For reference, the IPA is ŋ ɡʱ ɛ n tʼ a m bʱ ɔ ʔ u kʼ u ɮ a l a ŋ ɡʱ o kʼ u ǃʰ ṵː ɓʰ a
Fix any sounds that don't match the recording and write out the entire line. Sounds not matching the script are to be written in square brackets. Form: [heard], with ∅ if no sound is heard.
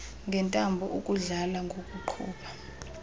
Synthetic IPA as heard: ŋ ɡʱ ɛ n tʼ a m bʱ ɔ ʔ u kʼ u ɮ a l a ŋ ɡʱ o kʼ u ǃʰ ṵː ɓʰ a